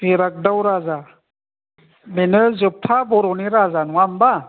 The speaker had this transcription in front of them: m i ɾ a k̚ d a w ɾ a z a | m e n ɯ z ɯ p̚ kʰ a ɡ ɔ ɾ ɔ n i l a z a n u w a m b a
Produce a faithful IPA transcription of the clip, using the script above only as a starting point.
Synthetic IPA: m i ɾ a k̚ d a w ɾ a z a | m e n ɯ z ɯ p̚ tʰ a b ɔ ɾ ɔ n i ɾ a z a n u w a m b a